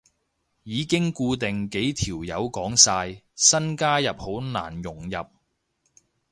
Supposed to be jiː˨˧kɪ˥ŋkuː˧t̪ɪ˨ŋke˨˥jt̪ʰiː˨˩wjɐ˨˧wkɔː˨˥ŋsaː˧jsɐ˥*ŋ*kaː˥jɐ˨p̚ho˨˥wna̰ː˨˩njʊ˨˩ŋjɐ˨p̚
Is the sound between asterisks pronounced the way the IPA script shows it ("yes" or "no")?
no